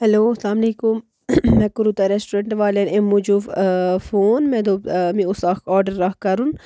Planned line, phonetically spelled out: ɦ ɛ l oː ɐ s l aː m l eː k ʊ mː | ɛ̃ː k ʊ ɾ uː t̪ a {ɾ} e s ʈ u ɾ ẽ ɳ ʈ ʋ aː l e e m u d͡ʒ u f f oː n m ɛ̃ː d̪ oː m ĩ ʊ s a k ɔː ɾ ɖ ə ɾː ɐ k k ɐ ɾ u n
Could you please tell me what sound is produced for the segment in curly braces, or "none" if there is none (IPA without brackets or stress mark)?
ɾ